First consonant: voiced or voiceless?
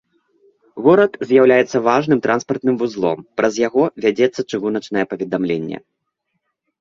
voiced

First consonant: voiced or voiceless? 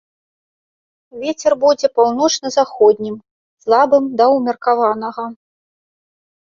voiced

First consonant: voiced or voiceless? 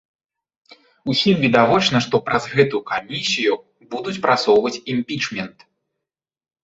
voiceless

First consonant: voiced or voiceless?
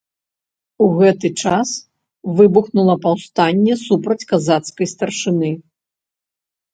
voiced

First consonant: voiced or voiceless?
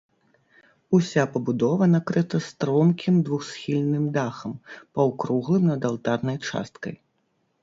voiceless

